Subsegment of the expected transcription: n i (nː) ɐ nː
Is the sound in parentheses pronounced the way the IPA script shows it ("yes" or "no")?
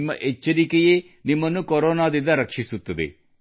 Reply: no